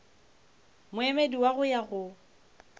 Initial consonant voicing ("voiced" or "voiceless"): voiced